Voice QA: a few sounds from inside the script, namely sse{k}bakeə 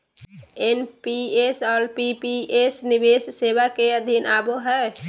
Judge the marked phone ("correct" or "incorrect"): incorrect